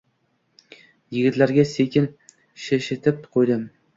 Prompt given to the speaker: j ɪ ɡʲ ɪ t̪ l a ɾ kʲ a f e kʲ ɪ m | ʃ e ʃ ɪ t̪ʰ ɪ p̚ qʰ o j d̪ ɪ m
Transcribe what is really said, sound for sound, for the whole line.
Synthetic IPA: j ɪ ɡʲ ɪ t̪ l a ɾ ɡʲ a s e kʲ ɪ n | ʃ e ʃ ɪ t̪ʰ ɪ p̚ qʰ o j d̪ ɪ m